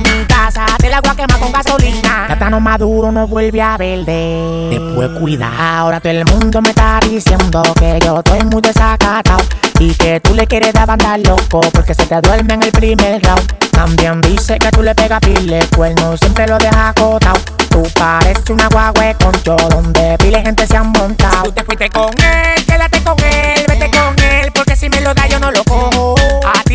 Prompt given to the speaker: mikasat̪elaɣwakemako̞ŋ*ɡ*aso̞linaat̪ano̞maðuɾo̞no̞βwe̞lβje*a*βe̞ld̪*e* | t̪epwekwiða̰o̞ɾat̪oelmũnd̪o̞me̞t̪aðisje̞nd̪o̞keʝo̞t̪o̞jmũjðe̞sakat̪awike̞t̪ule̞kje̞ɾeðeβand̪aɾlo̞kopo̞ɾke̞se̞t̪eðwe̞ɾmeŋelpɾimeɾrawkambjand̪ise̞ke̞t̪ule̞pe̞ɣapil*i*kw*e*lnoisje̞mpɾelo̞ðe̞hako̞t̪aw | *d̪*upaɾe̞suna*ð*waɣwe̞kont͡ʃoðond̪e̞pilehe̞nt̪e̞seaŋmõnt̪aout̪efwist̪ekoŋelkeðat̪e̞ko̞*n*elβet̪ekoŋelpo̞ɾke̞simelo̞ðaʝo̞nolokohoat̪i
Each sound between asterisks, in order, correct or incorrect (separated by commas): correct, correct, correct, incorrect, correct, incorrect, incorrect, incorrect